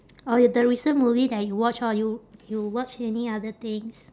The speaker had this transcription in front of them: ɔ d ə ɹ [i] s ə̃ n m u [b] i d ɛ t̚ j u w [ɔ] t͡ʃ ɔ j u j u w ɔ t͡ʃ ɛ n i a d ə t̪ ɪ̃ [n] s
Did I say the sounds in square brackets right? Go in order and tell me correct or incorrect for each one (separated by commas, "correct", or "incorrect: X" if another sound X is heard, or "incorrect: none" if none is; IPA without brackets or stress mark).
correct, incorrect: v, correct, incorrect: ŋ